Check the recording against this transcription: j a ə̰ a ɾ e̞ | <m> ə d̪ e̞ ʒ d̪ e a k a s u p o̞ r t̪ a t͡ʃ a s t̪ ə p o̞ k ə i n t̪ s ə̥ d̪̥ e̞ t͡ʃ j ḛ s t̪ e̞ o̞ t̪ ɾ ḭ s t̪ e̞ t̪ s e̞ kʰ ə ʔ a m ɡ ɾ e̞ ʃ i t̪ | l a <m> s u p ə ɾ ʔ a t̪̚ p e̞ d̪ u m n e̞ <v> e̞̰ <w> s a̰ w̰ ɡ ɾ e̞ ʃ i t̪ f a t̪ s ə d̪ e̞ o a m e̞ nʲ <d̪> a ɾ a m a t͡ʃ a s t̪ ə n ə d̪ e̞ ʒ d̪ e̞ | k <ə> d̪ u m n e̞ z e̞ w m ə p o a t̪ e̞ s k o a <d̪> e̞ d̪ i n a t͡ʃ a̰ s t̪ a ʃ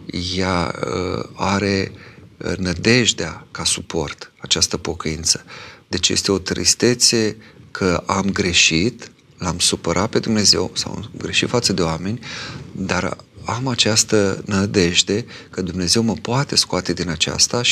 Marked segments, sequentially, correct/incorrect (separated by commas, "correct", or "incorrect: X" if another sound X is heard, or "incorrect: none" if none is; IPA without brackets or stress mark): incorrect: n, correct, incorrect: z, correct, correct, correct, incorrect: t̪